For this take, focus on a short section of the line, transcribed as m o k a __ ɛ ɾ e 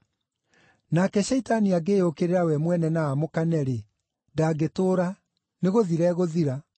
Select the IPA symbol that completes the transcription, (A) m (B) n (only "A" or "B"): B